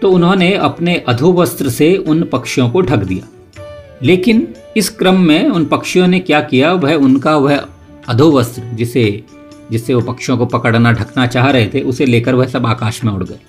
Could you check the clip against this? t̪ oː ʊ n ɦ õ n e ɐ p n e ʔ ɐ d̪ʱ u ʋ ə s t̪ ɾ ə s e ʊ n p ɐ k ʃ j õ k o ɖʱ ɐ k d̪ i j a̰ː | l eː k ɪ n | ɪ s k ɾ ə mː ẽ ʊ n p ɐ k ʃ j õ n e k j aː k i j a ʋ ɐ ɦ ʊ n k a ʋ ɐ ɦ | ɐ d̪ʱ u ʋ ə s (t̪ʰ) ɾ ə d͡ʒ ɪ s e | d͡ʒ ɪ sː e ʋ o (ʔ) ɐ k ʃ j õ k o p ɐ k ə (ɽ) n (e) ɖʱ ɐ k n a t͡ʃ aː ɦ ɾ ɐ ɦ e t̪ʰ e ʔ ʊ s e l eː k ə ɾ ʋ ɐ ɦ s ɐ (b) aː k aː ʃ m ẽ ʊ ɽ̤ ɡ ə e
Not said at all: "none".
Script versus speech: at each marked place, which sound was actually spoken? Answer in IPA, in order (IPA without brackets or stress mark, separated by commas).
t̪, p, ɽ, a, b